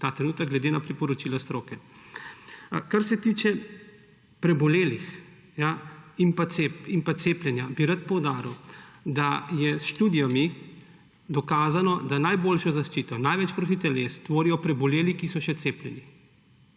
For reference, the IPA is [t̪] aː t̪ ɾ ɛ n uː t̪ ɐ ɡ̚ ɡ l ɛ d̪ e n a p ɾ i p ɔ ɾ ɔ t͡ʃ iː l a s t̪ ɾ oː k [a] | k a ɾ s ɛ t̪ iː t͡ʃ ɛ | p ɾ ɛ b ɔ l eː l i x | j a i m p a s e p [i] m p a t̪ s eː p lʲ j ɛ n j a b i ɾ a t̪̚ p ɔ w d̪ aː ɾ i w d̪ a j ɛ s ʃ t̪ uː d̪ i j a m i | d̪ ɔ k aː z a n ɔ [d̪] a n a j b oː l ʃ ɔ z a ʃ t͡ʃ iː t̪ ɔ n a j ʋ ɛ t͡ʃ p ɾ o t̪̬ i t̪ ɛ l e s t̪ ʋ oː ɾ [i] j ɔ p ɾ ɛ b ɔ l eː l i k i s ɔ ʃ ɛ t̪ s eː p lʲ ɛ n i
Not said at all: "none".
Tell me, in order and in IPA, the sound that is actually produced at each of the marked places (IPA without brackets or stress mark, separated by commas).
t̪, ɛ, i, d̪, i